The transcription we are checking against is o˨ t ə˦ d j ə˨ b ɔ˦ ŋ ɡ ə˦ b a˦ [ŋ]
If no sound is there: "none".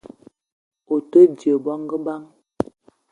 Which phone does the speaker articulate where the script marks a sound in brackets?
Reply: ŋ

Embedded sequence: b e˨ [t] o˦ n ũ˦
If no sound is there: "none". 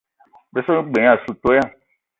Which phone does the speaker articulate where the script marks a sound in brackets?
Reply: s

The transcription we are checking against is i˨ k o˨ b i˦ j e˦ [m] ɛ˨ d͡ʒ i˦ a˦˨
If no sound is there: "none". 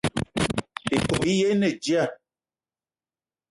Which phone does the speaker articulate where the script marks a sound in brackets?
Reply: n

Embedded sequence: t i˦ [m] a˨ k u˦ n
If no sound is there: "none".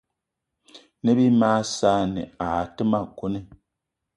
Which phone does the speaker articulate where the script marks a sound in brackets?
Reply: m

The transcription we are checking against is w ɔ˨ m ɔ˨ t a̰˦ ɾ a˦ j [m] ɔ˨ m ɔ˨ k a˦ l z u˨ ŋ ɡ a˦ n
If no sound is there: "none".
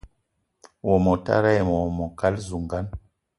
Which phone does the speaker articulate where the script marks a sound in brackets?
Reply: m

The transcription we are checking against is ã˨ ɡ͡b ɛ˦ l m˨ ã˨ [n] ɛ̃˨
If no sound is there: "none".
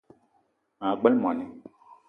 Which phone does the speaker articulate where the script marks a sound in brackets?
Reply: n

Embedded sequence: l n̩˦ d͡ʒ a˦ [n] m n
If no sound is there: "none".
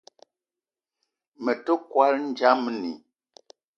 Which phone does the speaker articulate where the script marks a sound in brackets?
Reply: none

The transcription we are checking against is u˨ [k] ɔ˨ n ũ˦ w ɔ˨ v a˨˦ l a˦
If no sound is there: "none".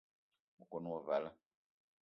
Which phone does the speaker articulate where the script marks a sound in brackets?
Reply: k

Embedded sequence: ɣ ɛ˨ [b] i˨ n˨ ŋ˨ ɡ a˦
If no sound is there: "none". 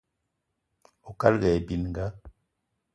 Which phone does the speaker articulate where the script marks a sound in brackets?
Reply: b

